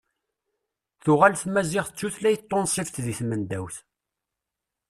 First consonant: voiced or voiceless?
voiceless